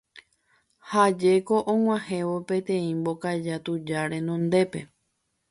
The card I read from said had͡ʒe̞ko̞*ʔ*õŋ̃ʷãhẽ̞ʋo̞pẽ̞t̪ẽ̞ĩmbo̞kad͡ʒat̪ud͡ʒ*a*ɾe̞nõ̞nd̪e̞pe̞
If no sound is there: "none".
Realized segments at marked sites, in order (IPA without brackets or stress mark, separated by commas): ʔ, a